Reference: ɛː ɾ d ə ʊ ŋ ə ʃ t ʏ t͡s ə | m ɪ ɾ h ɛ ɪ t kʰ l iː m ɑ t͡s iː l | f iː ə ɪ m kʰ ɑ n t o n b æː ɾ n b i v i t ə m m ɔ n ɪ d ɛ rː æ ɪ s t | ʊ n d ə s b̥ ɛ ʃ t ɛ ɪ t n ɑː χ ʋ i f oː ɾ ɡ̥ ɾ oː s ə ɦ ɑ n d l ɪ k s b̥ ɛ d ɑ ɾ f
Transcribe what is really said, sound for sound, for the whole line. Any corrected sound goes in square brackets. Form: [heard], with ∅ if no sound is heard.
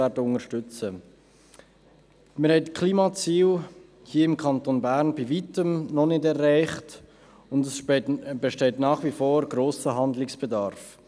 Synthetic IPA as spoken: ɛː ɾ d ə ʊ ŋ ə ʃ t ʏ t͡s ə | m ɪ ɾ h ɛ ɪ t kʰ l iː m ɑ t͡s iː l | [h] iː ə ɪ m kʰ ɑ n t o n b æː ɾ n b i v i t ə m [n] ɔ n ɪ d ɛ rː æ ɪ [χ] t | ʊ n d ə s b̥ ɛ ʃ t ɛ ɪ t n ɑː χ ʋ i f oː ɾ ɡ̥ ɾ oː s ə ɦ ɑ n d l ɪ k s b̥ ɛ d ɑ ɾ f